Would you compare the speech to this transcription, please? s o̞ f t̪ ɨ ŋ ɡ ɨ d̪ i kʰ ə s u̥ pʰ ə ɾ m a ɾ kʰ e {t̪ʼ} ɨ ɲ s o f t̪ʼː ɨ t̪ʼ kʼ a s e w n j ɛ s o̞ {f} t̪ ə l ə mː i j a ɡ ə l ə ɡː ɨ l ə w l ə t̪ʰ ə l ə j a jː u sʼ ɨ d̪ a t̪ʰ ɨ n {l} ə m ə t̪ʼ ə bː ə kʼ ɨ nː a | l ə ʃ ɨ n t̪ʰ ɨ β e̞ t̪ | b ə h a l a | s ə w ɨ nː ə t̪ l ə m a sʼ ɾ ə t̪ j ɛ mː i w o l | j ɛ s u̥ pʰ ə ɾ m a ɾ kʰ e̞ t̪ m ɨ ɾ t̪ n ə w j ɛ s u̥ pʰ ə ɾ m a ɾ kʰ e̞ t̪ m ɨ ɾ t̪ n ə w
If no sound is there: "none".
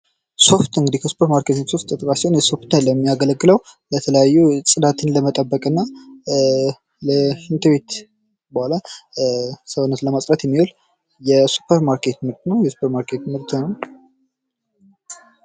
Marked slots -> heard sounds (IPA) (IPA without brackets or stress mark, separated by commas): t̪, f, l